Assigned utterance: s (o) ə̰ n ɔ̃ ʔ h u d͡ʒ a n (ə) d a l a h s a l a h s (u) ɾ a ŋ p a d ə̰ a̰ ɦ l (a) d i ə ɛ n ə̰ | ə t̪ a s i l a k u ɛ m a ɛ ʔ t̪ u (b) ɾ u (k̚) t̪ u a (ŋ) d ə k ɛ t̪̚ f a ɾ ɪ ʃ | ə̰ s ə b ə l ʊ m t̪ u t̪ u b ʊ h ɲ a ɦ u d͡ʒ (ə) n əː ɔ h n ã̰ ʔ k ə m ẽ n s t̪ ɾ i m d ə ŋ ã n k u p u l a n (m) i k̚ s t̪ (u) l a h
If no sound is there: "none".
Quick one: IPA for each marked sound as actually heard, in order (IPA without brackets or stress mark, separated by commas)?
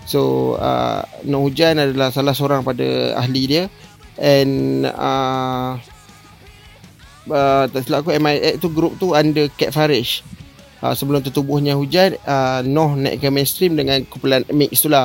o, a, o, i, ɡ, p̚, n, a, m, u